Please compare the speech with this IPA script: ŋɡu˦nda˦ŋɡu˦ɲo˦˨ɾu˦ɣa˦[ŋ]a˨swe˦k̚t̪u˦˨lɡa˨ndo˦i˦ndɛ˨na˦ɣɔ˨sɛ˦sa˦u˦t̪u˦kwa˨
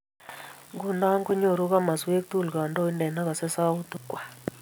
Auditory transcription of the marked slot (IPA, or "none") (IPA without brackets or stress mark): m